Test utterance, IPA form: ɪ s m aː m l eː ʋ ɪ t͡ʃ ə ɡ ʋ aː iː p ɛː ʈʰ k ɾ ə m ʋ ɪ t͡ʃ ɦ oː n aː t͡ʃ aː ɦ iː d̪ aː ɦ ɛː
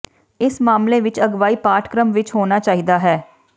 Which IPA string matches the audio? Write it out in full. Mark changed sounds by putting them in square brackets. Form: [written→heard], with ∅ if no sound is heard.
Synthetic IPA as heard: ɪ s m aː m l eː ʋ ɪ t͡ʃ ə ɡ ʋ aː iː p [ɛː→aː] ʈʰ k ɾ ə m ʋ ɪ t͡ʃ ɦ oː n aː t͡ʃ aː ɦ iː d̪ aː ɦ ɛː